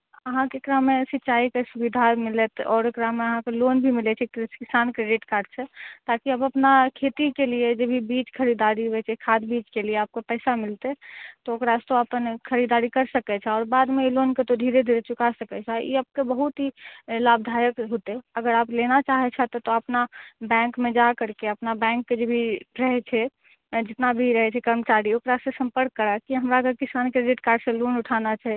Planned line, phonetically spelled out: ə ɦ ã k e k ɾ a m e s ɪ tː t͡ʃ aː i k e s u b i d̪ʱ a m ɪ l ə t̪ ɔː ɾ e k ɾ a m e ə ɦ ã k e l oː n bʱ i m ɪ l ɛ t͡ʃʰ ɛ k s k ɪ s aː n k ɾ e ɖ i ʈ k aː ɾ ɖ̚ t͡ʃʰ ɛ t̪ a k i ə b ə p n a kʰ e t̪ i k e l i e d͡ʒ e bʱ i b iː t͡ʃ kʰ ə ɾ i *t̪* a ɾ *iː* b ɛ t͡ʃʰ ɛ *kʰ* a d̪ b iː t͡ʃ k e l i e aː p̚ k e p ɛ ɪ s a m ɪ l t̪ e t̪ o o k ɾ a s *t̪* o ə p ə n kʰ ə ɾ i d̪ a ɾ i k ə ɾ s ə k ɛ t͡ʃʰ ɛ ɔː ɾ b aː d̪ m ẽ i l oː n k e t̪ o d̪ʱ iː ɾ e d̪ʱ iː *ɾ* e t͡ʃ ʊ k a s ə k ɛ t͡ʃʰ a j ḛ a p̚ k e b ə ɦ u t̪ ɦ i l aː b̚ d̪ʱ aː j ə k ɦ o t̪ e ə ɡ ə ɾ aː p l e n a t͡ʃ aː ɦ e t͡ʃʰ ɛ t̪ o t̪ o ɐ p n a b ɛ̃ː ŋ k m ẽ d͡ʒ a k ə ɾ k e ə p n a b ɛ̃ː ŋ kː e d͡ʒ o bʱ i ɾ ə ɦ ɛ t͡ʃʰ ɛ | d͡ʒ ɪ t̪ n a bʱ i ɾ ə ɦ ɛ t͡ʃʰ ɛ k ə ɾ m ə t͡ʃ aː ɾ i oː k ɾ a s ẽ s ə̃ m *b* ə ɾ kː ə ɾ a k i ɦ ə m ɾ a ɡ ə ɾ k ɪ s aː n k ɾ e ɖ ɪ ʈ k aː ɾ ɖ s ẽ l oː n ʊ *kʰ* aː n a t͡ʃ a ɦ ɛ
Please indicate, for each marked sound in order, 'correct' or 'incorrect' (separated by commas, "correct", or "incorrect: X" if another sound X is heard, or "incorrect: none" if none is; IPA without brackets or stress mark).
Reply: incorrect: d̪, incorrect: i, correct, correct, correct, incorrect: p, incorrect: ʈʰ